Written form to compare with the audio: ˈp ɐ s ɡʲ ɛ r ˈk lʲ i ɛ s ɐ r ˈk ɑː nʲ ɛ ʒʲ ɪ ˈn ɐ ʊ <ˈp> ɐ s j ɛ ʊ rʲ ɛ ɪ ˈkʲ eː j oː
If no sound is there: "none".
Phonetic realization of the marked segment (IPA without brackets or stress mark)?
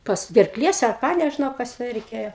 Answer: k